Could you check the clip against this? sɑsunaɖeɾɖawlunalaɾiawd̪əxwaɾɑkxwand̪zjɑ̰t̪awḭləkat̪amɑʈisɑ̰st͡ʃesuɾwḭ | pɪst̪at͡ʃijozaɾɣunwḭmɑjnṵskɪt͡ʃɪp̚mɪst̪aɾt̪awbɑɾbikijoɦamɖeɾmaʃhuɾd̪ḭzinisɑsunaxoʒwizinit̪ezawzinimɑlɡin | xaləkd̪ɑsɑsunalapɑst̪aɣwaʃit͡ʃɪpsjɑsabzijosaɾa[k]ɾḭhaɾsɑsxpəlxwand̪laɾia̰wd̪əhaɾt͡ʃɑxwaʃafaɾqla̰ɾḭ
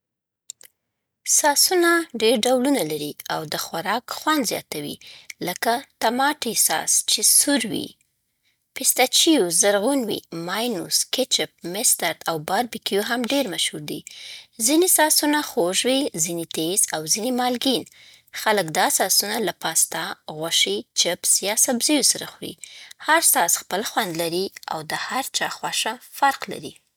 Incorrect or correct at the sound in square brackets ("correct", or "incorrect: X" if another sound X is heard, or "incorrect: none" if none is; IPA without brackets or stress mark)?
incorrect: x